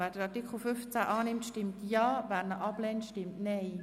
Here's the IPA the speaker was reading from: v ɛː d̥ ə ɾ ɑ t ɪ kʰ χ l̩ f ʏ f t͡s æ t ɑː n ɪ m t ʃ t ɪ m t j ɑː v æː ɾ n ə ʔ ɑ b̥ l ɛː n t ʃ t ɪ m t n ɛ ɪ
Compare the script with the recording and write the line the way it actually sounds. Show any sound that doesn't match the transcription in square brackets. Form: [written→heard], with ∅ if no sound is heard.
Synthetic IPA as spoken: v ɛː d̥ ə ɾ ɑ t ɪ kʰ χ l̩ f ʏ f t͡s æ [t→ʔ] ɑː n ɪ m t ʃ t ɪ m t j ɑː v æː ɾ n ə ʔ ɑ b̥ l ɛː n t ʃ t ɪ m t n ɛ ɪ